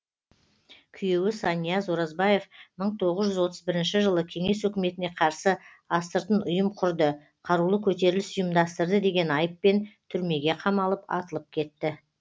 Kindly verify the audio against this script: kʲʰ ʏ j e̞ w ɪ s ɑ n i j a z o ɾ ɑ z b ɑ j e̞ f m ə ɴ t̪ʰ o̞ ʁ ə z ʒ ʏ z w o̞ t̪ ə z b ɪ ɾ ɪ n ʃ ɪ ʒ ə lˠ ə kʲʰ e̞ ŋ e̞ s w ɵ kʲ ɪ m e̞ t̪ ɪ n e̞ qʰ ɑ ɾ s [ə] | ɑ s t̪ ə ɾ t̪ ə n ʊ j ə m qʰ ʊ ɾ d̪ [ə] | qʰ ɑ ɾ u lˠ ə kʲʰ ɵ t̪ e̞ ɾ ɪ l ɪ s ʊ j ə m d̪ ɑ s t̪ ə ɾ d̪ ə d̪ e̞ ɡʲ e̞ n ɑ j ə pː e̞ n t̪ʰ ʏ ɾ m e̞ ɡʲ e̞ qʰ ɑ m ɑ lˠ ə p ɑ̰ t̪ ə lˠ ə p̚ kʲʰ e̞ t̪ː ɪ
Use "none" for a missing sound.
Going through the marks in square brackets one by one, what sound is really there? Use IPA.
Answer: ə, ə

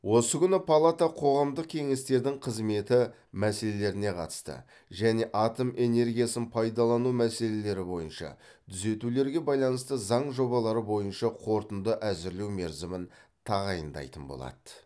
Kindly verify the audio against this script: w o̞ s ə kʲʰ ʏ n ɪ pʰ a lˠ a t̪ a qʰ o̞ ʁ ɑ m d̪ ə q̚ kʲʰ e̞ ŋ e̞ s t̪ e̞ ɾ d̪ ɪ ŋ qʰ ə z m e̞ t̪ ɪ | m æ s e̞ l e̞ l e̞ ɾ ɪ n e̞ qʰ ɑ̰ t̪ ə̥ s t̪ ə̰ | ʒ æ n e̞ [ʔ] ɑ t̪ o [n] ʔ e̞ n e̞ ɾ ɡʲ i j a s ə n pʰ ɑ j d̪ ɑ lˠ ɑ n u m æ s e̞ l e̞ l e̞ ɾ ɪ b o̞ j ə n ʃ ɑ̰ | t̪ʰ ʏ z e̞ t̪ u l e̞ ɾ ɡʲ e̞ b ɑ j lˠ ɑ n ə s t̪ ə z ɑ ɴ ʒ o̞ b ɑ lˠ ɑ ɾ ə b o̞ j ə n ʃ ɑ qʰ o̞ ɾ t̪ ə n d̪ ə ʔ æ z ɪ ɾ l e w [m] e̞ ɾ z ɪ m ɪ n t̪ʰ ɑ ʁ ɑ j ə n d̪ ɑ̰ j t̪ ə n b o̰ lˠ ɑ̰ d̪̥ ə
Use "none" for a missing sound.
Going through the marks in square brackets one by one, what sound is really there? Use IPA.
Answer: ʔ, m, m

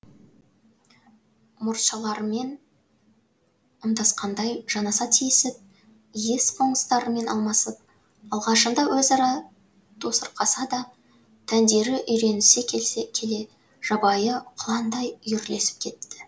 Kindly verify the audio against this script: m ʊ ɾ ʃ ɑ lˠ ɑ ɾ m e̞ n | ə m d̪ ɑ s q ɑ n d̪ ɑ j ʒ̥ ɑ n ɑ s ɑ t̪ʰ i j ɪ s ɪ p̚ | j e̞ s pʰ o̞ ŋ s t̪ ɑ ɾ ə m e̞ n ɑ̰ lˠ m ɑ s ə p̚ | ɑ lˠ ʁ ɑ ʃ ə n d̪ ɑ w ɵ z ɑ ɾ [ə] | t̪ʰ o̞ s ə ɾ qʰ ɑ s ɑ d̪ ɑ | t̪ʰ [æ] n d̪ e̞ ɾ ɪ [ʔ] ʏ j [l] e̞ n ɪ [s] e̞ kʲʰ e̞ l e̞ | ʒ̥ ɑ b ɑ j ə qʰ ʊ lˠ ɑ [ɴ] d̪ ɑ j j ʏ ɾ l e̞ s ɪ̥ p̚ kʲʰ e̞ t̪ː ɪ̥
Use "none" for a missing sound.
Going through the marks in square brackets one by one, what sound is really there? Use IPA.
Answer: ɑ, æ, ʔ, ɾ, s, n

